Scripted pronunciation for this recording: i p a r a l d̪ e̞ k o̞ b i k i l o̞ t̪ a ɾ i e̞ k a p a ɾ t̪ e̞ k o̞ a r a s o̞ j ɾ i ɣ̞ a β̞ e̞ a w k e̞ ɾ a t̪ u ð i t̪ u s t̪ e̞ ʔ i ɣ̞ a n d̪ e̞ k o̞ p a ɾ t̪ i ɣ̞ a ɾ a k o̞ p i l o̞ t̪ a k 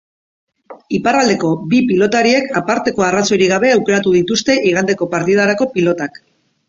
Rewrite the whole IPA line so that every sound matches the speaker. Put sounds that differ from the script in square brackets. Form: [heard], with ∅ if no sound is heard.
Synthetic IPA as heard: i p a r a l d̪ e̞ k o̞ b i [p] i l o̞ t̪ a ɾ i e̞ k a p a ɾ t̪ e̞ k o̞ a r a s o̞ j ɾ i ɣ̞ a β̞ e̞ a w k e̞ ɾ a t̪ u ð i t̪ u s t̪ e̞ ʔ i ɣ̞ a n d̪ e̞ k o̞ p a ɾ t̪ i [ð̞] a ɾ a k o̞ p i l o̞ t̪ a k